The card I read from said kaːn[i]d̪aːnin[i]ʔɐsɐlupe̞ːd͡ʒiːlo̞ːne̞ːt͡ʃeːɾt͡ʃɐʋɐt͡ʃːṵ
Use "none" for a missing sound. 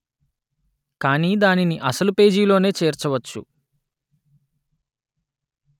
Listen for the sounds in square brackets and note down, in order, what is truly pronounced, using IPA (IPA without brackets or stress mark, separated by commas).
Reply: iː, i